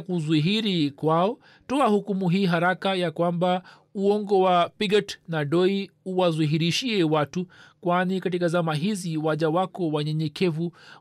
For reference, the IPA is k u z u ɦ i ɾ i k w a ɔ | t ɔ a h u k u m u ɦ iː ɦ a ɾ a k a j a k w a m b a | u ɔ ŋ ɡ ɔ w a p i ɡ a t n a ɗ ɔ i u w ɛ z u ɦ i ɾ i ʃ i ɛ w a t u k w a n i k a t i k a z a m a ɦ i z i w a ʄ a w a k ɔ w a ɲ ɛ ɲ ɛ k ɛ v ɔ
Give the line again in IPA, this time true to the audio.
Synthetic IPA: k u z u ɦ i ɾ i k w a ɔ | t ɔ a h u k u m u ɦ iː ɦ a ɾ a k a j a k w a m b a | u ɔ ŋ ɡ ɔ w a p i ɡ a t n a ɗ ɔ i u w a z u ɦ i ɾ i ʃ i ɛ w a t u k w a n i k a t i k a z a m a ɦ i z i w a ʄ a w a k ɔ w a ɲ ɛ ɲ ɛ k ɛ v u